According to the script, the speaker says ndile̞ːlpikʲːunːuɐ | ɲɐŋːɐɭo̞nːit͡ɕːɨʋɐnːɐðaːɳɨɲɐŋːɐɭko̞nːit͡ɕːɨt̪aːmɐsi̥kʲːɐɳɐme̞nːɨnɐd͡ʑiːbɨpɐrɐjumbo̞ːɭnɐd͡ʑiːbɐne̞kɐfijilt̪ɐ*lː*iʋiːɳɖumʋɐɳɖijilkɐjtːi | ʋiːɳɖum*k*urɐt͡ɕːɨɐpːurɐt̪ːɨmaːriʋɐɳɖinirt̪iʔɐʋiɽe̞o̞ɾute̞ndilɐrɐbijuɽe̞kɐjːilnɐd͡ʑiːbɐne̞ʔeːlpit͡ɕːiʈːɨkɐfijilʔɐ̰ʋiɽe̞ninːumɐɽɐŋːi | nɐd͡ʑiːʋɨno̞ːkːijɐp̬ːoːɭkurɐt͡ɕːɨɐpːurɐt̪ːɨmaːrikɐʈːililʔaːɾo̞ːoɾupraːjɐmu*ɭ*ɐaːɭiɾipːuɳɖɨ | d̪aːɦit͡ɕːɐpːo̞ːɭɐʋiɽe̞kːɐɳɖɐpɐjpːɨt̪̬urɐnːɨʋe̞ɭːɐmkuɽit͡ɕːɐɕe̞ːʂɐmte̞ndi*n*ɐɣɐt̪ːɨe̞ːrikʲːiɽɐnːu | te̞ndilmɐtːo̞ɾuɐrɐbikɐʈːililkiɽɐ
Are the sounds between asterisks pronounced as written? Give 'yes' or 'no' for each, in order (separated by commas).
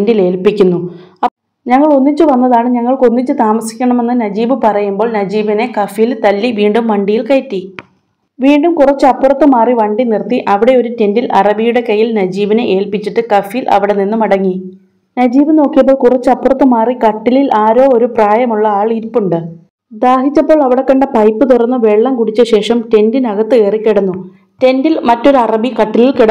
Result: yes, yes, no, yes